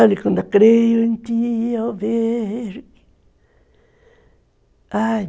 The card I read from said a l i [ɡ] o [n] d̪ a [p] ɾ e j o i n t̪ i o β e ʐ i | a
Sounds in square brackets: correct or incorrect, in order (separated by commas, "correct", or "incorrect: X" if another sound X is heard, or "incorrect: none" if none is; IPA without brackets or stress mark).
incorrect: k, correct, incorrect: k